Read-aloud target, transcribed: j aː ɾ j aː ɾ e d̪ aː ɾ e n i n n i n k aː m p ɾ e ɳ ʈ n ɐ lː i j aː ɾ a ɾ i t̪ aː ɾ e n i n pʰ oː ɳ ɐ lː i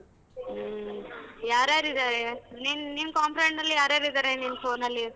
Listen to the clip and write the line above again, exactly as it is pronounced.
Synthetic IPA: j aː ɾ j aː ɾ i d̪ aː ɾ e n i n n i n k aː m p ɾ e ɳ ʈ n ɐ lː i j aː ɾ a ɾ i d̪ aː ɾ e n i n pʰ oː n ɐ lː i